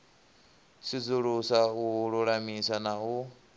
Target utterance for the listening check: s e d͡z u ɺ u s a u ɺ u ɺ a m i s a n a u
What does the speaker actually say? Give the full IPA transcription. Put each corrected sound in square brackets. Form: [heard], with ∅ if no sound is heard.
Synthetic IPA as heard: s [i] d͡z u ɺ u s a u ɺ u ɺ a m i s a n a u